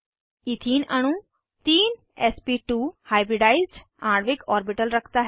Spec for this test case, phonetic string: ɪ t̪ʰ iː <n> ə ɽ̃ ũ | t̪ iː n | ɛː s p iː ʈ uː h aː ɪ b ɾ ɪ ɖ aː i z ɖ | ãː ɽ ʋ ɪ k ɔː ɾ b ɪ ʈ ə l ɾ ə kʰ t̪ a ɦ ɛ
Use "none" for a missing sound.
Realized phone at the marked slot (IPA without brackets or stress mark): n